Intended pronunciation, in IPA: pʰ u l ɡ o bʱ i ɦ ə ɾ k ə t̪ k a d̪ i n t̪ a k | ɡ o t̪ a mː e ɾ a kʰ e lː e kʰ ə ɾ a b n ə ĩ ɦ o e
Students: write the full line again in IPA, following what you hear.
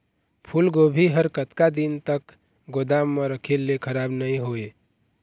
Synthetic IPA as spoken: pʰ u l ɡ o bʱ i ɦ ə ɾ k ə t̪ k a d̪ i n t̪ ə k | ɡ o d̪ a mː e ɾ ə kʰ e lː e kʰ ə ɾ a b n ə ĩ ɦ o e